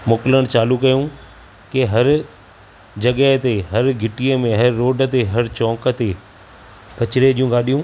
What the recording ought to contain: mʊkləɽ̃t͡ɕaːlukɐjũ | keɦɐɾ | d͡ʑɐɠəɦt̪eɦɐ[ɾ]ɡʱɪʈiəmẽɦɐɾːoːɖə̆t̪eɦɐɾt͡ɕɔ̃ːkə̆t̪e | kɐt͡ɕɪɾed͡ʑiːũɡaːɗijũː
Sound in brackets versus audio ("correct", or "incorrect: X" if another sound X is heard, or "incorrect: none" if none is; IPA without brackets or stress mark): correct